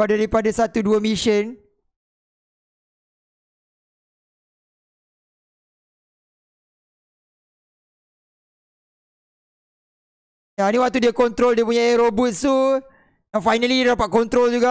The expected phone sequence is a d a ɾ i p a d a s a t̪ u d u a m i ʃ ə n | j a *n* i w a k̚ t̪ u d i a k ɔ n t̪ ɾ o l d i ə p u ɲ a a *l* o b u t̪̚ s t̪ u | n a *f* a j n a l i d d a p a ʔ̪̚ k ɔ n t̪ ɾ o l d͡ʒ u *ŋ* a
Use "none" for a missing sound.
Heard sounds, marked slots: n, ɾ, f, ɡ

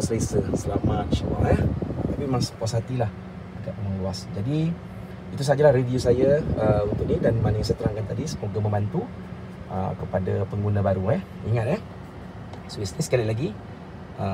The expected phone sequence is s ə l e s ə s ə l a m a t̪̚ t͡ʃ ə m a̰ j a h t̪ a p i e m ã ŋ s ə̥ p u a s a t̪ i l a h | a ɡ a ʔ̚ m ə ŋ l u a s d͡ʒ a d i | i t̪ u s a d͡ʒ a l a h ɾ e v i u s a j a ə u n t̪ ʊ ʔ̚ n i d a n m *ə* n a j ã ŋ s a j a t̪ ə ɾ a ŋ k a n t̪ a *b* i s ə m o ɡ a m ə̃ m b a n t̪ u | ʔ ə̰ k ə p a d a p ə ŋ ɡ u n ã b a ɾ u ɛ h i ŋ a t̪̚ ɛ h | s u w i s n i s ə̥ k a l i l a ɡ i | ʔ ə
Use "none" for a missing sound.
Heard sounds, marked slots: a, d

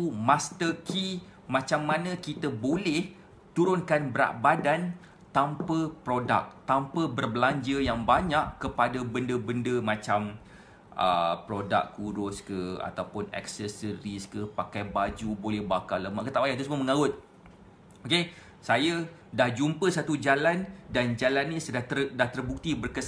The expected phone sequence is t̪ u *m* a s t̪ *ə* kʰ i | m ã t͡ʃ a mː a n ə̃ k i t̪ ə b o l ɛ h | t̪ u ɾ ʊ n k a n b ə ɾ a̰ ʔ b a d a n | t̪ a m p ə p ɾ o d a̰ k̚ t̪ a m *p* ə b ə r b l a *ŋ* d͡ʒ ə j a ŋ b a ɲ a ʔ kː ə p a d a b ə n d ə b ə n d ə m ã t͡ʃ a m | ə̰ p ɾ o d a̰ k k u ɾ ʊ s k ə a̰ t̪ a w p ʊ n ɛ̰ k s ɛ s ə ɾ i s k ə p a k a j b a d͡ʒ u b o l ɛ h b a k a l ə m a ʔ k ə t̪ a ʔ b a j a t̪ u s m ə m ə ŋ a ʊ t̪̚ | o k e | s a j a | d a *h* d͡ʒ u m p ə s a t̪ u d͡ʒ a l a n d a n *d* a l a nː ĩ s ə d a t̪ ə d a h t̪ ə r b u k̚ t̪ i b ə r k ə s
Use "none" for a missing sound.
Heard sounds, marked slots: m, ə, p, ɲ, h, d͡ʒ

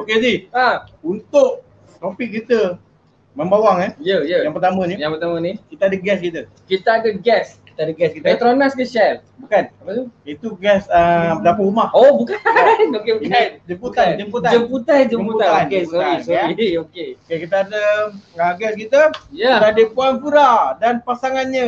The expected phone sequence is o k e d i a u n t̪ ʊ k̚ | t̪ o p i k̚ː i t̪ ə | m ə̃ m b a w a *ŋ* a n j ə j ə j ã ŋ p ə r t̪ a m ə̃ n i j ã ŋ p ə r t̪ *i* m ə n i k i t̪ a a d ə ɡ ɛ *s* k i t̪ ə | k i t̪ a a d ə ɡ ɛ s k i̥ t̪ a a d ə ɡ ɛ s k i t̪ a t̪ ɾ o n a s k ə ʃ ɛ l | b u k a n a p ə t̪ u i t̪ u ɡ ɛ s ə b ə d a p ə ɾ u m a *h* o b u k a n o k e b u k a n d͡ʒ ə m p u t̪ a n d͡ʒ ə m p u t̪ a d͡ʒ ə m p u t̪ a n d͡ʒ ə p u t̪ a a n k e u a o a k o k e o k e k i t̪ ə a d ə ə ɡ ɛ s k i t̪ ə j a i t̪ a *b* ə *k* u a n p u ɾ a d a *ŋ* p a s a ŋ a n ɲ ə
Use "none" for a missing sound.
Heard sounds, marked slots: ŋ, a, s, h, d, p, n

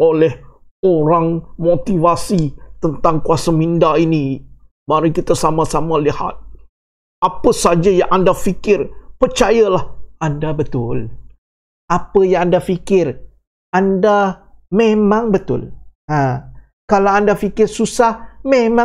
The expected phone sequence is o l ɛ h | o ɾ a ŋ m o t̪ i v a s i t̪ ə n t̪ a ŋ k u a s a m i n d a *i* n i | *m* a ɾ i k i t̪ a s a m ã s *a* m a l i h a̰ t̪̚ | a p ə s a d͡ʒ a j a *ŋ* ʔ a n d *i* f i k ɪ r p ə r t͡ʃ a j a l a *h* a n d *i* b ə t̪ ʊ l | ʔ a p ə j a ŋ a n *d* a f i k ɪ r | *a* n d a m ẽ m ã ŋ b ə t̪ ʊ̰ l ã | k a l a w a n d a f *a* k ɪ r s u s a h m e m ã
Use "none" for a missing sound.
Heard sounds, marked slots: i, m, a, ŋ, a, h, a, d, a, i

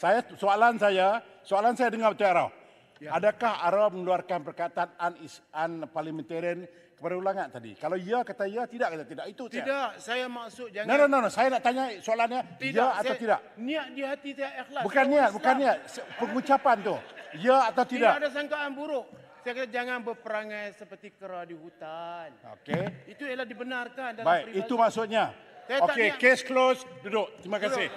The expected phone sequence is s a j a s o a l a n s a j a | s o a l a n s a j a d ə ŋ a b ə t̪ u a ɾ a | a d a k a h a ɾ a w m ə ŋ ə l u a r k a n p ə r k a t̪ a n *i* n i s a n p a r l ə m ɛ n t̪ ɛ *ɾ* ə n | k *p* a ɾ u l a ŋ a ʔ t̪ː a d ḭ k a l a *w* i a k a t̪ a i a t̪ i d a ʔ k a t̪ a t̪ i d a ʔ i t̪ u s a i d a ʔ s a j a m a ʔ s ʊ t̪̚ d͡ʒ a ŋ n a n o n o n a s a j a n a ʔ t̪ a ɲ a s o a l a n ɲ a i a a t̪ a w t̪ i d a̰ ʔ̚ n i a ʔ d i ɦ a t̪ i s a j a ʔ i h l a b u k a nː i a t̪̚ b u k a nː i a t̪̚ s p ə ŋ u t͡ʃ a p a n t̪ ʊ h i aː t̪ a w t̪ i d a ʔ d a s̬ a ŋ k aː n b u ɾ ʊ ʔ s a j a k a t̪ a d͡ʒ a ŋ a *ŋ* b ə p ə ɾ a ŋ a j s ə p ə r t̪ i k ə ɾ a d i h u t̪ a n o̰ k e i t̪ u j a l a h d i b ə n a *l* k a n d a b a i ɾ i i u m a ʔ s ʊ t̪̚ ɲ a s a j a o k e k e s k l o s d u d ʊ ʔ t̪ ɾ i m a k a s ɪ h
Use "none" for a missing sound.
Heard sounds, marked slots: a, ɾ, p, w, n, r

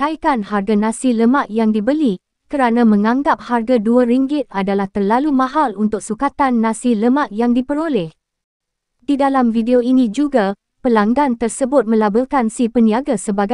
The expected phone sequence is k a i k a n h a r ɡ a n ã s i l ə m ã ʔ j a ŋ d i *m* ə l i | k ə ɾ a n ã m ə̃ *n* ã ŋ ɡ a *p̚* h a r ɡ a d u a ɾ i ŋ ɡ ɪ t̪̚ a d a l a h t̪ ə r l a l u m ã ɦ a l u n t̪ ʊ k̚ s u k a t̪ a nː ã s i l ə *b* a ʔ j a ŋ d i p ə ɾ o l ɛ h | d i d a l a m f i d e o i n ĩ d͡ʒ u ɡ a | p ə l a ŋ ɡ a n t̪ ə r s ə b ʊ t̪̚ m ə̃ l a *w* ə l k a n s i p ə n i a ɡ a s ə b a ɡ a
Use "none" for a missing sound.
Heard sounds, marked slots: b, ŋ, p̚, m, b

